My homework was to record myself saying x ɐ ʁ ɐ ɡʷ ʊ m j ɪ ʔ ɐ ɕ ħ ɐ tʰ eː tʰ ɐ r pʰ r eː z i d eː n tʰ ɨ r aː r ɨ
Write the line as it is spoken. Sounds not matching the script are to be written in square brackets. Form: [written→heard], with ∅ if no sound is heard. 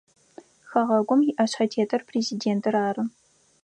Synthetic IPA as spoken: x ɐ ʁ ɐ ɡʷ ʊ m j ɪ ʔ ɐ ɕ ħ ɐ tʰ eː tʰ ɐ r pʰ r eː z i d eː n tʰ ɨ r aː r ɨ